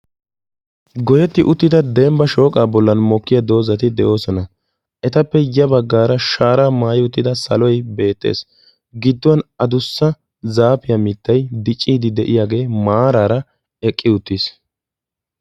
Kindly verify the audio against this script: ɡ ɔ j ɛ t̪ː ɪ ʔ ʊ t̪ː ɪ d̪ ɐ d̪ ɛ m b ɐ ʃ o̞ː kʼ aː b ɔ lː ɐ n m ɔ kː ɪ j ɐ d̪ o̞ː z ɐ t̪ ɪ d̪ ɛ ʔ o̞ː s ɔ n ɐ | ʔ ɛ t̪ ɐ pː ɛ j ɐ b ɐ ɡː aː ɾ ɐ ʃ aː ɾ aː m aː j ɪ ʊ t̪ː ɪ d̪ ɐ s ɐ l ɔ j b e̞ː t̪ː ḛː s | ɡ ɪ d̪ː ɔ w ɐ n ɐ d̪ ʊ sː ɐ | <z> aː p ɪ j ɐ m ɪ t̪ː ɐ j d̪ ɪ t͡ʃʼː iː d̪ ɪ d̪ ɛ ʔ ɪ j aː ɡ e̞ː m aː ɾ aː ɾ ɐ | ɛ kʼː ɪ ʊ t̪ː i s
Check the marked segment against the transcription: correct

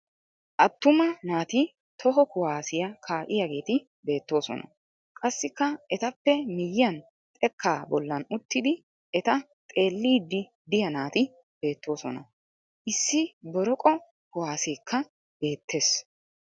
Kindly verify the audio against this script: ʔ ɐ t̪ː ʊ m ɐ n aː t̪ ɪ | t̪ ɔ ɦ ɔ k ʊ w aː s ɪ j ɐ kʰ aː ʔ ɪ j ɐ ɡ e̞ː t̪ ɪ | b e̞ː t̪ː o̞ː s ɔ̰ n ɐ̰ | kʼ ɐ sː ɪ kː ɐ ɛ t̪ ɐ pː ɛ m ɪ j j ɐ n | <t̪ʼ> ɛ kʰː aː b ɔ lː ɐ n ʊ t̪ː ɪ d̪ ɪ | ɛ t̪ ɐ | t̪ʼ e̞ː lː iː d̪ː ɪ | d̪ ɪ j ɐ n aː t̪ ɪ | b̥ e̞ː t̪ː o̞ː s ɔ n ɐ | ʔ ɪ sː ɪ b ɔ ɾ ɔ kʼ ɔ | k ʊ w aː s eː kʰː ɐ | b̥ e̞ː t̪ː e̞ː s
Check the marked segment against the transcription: correct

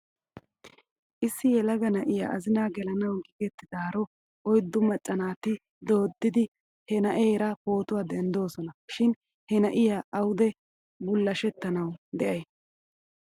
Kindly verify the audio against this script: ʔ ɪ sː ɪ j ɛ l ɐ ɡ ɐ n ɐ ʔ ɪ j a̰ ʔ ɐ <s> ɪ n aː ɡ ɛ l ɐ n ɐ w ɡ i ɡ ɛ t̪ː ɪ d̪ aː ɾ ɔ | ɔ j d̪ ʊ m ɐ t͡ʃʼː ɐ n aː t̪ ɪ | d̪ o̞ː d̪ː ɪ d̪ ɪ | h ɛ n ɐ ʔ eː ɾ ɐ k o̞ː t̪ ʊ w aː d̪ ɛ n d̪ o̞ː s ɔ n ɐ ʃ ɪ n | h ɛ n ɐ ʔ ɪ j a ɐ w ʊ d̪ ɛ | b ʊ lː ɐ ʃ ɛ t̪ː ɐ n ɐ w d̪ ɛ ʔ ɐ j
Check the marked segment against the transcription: incorrect: z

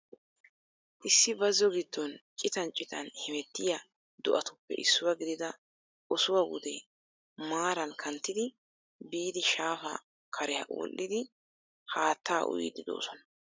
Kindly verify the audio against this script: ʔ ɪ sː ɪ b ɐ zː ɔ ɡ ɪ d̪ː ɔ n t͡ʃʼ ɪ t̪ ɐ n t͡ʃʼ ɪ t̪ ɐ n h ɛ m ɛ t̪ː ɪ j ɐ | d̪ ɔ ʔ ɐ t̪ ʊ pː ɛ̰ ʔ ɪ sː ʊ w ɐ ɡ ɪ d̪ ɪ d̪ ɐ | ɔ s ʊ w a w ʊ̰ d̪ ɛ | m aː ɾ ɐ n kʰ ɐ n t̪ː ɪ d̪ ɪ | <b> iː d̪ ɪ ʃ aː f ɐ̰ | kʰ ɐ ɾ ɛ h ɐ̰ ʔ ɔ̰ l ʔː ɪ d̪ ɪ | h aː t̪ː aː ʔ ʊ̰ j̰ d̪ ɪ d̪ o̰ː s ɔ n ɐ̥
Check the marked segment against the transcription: correct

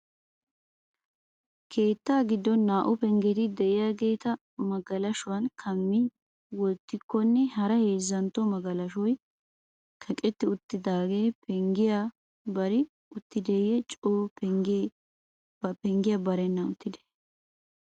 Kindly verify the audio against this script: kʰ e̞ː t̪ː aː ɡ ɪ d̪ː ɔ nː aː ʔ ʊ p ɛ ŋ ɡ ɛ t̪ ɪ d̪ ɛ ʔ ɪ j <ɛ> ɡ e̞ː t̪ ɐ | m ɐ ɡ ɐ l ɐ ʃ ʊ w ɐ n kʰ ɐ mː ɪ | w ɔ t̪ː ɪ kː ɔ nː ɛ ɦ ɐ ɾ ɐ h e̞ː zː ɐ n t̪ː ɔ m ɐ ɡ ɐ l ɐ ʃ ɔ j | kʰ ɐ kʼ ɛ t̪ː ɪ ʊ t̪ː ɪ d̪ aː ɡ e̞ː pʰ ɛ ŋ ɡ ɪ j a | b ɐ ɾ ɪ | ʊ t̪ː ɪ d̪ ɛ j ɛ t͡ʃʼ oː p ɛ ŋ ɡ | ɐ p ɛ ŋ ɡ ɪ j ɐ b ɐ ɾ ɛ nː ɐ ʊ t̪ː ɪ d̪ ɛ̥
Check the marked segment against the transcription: incorrect: a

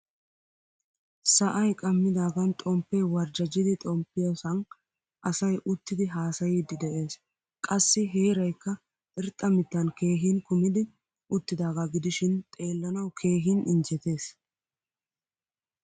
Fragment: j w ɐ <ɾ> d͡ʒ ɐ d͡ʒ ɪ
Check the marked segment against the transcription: correct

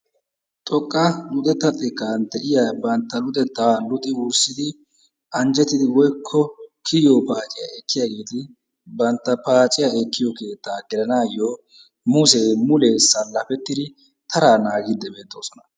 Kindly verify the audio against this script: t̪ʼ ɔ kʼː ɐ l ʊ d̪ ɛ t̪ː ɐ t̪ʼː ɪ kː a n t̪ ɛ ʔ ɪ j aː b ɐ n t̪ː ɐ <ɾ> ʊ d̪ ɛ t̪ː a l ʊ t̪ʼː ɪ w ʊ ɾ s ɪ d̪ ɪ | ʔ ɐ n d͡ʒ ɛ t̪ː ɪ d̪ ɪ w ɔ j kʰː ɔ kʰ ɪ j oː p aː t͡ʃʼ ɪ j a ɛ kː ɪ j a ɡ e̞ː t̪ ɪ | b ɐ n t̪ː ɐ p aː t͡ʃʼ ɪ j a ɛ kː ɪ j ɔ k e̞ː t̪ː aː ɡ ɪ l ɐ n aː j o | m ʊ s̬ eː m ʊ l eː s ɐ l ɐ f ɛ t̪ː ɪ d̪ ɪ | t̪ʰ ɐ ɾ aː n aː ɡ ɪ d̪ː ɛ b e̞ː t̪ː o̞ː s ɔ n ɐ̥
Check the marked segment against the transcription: incorrect: l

